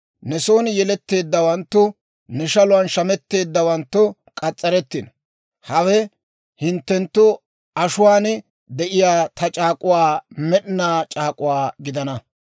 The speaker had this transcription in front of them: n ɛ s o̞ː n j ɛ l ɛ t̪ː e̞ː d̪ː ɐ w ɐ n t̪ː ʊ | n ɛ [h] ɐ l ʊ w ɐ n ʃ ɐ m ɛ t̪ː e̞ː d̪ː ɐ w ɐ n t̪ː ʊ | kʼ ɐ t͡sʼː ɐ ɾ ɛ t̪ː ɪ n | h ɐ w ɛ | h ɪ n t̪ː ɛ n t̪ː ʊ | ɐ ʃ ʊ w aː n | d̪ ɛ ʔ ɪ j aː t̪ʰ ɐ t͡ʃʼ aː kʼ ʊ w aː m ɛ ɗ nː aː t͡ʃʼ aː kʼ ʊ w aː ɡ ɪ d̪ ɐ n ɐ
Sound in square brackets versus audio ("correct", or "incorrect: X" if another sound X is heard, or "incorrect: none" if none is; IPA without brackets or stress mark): incorrect: ʃ